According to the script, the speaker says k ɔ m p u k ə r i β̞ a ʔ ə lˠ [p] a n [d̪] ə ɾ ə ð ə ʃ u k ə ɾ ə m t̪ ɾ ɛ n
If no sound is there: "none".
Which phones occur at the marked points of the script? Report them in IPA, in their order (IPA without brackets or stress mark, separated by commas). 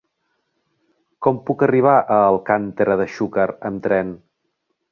k, t̪